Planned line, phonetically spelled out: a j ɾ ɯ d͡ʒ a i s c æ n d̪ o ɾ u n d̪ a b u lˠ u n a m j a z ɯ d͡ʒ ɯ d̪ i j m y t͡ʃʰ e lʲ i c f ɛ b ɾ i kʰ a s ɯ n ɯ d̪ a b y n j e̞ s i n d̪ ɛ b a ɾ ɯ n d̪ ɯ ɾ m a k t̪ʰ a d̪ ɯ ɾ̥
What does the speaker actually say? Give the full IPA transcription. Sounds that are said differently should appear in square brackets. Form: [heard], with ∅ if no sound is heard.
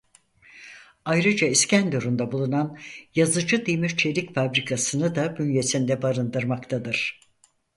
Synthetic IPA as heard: a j ɾ ɯ d͡ʒ a i s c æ n d̪ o ɾ u n d̪ a b u lˠ u n a [n] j a z ɯ d͡ʒ ɯ d̪ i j m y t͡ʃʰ e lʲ i c f [a] b ɾ i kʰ a s ɯ n ɯ d̪ a b y n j e̞ s i n d̪ ɛ b a ɾ ɯ n d̪ ɯ ɾ m a k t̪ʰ a d̪ ɯ ɾ̥